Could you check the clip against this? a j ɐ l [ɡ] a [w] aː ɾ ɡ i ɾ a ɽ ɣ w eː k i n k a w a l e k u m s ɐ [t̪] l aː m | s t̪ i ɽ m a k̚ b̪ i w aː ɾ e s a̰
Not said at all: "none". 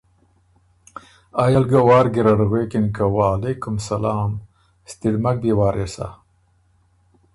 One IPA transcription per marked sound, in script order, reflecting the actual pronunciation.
ɡ, w, none

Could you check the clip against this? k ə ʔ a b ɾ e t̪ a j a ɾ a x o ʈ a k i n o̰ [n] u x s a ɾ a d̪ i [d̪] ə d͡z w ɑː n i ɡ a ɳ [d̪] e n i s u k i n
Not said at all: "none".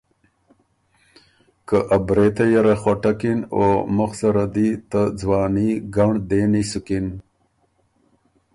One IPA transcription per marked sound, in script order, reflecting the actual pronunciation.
m, t̪, d̪

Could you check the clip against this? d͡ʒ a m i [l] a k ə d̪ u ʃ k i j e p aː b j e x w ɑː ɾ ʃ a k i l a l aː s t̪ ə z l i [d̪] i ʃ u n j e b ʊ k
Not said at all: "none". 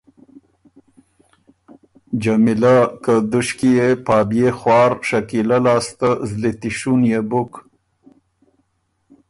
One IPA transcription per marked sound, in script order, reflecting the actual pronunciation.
l, t̪

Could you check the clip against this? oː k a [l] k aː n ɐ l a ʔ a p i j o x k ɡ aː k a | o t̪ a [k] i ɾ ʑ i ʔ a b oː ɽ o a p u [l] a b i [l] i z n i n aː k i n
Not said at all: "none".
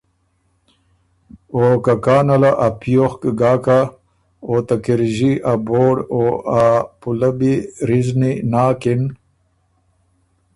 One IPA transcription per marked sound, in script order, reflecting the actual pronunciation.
none, k, l, ɾ

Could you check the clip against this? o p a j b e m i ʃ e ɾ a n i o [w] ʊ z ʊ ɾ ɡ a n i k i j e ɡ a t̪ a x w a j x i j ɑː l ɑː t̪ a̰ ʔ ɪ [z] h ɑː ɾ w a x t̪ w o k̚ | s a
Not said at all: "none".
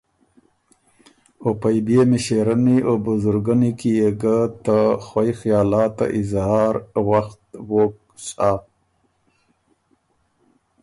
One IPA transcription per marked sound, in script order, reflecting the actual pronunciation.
b, z

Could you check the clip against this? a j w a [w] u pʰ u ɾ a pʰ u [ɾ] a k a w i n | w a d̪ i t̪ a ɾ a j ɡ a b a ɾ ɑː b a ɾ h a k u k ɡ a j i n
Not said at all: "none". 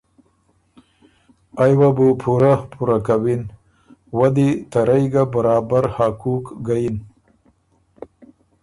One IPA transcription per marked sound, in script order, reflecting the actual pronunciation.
b, ɾ

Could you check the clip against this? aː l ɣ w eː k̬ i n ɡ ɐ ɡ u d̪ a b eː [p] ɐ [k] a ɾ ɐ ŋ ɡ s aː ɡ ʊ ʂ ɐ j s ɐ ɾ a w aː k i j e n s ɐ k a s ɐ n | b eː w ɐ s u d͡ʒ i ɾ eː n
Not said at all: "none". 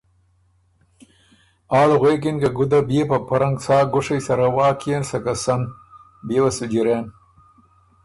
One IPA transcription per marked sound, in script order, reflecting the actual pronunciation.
p, p

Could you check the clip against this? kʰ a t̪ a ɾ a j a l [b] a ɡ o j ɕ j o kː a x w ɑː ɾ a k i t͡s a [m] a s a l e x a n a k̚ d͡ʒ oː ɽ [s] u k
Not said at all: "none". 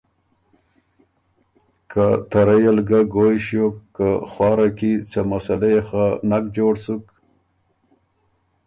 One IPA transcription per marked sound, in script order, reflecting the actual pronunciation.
ɡ, m, s

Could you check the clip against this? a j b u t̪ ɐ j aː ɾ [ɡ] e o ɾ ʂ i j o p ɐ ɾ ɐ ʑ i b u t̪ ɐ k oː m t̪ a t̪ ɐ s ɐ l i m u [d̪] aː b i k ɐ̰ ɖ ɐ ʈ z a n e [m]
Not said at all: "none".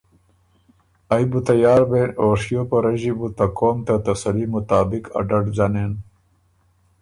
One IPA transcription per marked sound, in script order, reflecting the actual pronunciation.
b, t̪, n

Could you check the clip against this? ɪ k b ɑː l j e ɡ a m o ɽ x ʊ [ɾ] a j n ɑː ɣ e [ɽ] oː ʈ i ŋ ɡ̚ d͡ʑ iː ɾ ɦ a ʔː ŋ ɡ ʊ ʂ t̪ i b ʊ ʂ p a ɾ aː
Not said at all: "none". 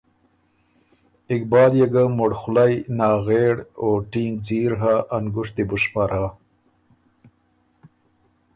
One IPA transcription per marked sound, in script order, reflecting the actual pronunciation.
l, ɽ

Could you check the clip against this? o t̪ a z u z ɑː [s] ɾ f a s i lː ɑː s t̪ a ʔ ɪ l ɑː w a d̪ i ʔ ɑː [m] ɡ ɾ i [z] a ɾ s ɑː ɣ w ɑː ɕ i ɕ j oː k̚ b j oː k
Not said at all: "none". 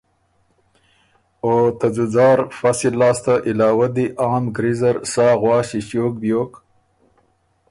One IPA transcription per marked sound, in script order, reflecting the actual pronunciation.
none, m, z

